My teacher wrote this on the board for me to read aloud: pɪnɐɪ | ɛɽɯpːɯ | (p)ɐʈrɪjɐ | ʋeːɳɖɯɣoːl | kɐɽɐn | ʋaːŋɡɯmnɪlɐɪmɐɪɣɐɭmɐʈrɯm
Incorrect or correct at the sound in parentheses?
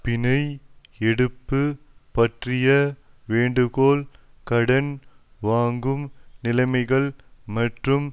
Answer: correct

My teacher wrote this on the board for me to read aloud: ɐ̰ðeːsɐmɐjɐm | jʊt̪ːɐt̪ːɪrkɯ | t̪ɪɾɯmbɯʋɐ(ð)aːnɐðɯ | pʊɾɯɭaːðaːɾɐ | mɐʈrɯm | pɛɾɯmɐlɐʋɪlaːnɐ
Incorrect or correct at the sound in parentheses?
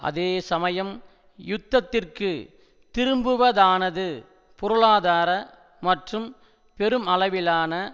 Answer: correct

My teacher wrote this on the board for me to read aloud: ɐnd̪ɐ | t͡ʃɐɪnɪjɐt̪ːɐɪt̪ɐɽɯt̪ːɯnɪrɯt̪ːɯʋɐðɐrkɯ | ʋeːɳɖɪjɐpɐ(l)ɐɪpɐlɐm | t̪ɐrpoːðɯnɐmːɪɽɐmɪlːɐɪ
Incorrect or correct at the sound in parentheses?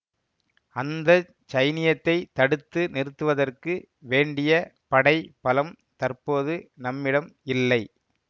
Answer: incorrect: ɽ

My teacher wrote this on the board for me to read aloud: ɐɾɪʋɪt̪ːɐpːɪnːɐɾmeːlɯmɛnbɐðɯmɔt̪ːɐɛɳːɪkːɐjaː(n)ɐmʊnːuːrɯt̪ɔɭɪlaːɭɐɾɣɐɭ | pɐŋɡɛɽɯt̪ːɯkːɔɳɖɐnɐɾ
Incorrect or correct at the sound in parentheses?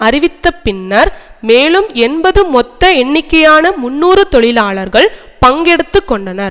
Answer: correct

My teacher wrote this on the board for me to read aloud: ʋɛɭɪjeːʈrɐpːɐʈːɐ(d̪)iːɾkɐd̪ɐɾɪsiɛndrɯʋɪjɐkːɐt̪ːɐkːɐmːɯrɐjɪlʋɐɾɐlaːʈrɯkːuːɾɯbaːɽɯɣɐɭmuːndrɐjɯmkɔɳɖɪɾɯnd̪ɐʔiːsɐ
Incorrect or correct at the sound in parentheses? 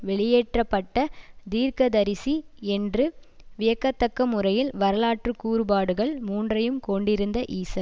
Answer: correct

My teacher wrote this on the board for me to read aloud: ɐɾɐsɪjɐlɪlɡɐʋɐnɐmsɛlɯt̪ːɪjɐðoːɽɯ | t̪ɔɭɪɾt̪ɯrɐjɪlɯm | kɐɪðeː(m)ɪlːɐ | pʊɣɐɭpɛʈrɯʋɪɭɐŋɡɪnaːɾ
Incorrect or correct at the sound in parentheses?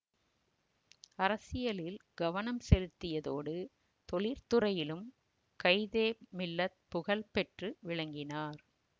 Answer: correct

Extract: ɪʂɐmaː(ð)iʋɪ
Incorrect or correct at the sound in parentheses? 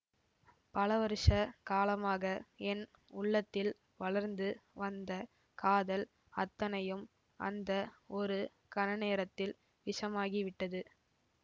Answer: incorrect: ɣ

